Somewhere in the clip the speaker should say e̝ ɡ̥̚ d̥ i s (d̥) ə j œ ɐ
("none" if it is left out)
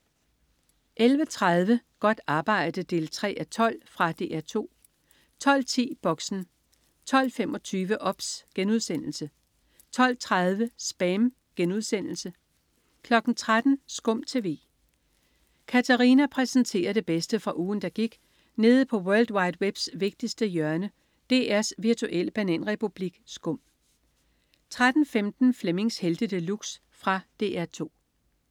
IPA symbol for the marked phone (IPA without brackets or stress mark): d̥